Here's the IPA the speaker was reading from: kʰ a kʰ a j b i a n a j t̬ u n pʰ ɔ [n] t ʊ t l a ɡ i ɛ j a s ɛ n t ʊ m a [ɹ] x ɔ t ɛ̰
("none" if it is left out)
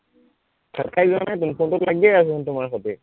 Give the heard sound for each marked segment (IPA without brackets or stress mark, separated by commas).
n, ɹ